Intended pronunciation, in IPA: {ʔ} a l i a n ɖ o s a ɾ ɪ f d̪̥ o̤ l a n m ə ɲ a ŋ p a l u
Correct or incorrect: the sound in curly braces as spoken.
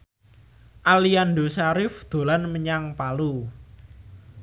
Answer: correct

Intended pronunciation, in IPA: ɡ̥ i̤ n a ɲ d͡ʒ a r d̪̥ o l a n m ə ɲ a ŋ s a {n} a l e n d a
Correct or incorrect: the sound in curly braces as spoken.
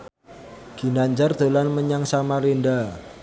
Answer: incorrect: m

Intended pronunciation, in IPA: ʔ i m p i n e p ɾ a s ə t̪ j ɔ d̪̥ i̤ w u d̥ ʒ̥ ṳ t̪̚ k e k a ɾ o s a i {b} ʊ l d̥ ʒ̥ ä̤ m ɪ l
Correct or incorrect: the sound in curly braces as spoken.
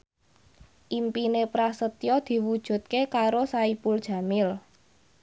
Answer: incorrect: p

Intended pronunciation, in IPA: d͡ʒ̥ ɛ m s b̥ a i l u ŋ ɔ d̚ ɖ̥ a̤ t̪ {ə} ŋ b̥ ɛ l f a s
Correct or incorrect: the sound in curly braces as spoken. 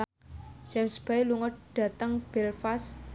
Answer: correct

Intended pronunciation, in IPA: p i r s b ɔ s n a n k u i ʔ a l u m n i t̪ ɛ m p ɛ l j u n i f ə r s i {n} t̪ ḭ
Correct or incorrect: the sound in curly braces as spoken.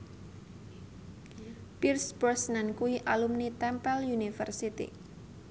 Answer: incorrect: none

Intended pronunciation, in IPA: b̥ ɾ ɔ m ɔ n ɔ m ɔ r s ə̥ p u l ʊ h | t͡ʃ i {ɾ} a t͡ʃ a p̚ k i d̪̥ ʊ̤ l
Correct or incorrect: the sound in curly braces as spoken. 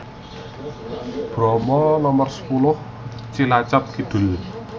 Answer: incorrect: l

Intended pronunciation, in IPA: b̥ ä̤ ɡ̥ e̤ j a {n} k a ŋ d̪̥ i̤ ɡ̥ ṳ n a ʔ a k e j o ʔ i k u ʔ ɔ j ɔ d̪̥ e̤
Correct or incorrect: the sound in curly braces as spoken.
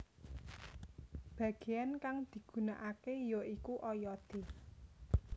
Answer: correct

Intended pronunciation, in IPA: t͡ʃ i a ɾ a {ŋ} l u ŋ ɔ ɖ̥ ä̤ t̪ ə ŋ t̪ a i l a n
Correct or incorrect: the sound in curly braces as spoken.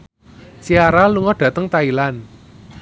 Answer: incorrect: none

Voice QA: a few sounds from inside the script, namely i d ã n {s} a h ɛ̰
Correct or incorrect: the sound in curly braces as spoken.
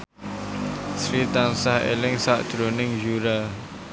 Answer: correct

